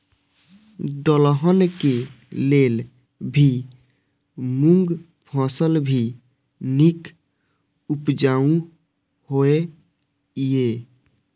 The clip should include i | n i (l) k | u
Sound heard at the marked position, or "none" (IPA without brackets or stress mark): none